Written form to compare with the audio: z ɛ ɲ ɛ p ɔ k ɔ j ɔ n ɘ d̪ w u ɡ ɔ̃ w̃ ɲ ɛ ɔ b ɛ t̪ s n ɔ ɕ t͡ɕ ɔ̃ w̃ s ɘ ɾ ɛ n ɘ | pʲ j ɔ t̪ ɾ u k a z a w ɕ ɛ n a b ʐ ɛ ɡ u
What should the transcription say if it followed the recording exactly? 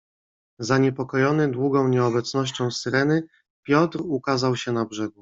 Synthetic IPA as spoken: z a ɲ ɛ p ɔ k ɔ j ɔ n ɘ d̪ w u ɡ ɔ̃ w̃ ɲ ɛ ɔ b ɛ t̪ s n ɔ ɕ t͡ɕ ɔ̃ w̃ s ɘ ɾ ɛ n ɘ | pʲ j ɔ t̪ ɾ u k a z a w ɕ ɛ n a b ʐ ɛ ɡ u